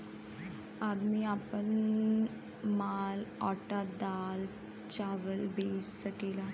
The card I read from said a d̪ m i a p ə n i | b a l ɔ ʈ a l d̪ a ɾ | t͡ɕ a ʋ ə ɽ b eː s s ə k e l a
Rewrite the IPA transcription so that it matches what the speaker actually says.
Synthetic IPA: a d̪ m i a p ə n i | m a l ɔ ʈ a d̪ a l | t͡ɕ a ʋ ə l b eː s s ə k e l a